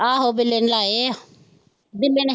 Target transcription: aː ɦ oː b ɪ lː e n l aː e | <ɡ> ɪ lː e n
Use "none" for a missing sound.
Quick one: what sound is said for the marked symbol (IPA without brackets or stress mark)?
b